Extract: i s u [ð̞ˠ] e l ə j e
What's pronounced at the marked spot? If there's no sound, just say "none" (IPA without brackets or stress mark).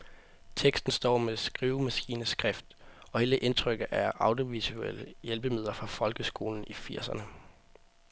none